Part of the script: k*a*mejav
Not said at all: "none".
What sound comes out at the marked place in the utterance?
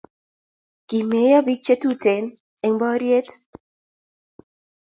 i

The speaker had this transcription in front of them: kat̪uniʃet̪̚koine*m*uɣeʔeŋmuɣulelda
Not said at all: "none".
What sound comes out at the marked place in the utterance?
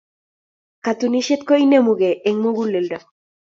m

